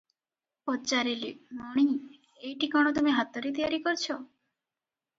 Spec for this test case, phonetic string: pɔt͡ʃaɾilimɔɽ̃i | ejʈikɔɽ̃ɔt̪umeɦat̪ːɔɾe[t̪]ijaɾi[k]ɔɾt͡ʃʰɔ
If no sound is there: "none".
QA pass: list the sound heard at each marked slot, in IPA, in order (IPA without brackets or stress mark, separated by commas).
t̪, k